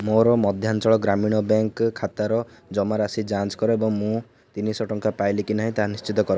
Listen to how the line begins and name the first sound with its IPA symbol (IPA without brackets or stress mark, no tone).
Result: m